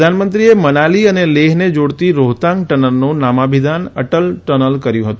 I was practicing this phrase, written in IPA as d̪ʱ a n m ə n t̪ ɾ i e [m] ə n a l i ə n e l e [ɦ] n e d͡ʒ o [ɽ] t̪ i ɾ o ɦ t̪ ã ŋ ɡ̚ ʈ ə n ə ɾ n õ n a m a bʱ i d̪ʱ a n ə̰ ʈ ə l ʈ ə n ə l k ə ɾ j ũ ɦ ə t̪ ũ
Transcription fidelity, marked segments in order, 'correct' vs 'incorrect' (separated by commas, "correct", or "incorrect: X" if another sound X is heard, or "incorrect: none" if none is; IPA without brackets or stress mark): correct, correct, correct